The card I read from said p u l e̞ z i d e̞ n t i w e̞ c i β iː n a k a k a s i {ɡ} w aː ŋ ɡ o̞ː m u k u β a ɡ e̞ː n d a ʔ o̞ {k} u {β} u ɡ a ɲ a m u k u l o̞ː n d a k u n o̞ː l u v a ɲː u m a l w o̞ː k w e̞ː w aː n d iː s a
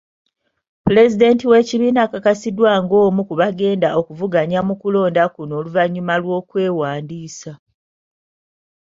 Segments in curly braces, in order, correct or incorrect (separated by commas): incorrect, correct, incorrect